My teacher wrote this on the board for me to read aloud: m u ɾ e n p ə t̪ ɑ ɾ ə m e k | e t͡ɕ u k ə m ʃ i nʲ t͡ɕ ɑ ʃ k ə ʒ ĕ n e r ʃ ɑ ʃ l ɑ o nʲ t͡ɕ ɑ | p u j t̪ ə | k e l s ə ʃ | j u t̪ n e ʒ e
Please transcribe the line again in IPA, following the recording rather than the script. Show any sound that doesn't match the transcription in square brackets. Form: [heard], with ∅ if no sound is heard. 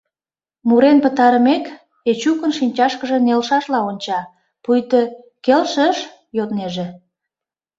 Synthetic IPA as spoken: m u ɾ e n p ə t̪ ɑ ɾ ə m e k | e t͡ɕ u k ə [n] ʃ i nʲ t͡ɕ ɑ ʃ k ə ʒ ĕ n e [l] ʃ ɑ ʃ l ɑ o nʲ t͡ɕ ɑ | p u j t̪ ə | k e l [ʃ] ə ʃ | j [o] t̪ n e ʒ e